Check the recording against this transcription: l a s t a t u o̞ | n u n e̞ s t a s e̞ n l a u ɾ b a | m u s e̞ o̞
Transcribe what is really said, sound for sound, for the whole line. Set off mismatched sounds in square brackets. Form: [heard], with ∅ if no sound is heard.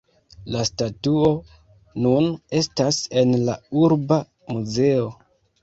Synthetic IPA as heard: l a s t a t u o̞ | n u n e̞ s t a s e̞ n l a u ɾ b a | m u [z] e̞ o̞